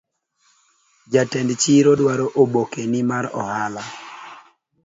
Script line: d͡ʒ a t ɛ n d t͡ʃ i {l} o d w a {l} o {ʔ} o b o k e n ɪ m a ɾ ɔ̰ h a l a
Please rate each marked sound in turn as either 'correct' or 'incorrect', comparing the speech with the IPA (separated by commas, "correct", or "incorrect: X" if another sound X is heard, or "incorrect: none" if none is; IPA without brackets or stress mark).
incorrect: ɾ, incorrect: ɾ, correct